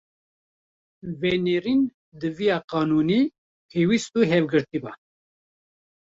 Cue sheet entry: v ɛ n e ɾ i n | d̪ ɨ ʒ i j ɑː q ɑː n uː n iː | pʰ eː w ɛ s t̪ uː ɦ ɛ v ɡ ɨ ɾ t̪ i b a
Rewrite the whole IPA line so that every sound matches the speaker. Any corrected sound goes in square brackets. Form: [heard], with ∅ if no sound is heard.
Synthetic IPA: v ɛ n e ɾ i n | d̪ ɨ [v] i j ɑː q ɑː n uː n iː | pʰ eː w [i] s t̪ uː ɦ ɛ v ɡ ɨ ɾ t̪ i b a

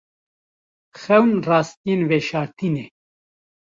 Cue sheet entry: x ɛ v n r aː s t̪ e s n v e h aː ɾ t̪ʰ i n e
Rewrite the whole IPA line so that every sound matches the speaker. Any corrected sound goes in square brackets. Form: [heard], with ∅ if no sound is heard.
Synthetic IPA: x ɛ [w] n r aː s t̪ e [∅] n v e [ʃ] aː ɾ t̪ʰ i n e

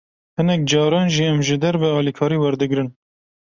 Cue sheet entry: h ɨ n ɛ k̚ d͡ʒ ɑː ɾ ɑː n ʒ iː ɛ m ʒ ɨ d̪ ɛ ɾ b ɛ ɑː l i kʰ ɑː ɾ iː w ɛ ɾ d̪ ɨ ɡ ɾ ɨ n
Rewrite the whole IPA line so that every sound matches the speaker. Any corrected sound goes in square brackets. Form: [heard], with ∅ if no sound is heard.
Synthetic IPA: h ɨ n ɛ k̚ d͡ʒ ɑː ɾ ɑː n ʒ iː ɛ m ʒ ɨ d̪ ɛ ɾ b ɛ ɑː l i kʰ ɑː ɾ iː w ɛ ɾ d̪ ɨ ɡ ɾ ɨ n

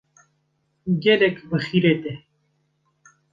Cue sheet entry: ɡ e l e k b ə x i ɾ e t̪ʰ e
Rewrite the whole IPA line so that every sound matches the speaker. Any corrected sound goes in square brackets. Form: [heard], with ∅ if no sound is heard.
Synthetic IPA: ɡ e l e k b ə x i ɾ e [t̪] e

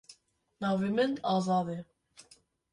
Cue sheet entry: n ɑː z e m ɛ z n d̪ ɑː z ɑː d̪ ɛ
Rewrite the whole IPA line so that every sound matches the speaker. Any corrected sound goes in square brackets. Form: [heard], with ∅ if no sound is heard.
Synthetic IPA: n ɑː [v] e m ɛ [∅] n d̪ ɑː z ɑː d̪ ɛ

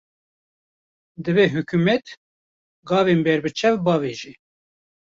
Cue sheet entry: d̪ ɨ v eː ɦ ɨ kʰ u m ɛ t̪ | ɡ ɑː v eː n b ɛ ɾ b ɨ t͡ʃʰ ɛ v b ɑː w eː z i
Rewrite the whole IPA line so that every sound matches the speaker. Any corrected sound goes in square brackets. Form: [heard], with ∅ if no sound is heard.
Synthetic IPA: d̪ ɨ v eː ɦ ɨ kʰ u m ɛ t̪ | ɡ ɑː v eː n b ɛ ɾ b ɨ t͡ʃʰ ɛ v b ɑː [v] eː [ʒ] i

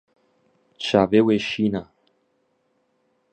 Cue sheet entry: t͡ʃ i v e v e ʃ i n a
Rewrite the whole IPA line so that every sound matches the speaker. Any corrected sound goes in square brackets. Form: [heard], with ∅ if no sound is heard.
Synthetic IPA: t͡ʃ [a] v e [w] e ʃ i n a

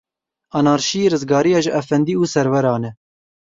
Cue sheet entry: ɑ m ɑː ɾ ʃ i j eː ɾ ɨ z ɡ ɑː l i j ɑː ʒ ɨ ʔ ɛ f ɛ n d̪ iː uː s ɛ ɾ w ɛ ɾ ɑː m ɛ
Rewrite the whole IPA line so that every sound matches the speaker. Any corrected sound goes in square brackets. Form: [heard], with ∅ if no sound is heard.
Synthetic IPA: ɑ [n] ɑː ɾ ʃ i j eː ɾ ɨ z ɡ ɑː [ɾ] i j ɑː ʒ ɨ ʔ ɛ f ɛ n d̪ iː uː s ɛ ɾ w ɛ ɾ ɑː [n] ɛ

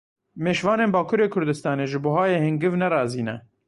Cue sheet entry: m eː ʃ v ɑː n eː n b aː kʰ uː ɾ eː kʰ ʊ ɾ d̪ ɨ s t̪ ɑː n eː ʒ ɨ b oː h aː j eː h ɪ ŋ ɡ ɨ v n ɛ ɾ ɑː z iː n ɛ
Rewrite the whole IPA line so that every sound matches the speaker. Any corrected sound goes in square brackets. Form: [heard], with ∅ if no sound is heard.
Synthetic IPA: m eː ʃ v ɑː n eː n b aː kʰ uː ɾ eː kʰ ʊ ɾ d̪ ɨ s t̪ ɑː n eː ʒ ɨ b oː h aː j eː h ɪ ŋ ɡ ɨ v n ɛ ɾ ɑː z iː n ɛ

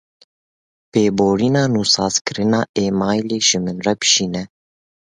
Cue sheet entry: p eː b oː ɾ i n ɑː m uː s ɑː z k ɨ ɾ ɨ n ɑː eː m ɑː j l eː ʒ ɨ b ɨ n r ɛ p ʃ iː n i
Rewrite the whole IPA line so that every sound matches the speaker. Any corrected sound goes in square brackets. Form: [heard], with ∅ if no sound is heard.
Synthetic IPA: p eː b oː ɾ i n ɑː [n] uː s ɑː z k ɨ ɾ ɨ n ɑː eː m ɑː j l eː ʒ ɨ [m] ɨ n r ɛ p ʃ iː n [ɛ]

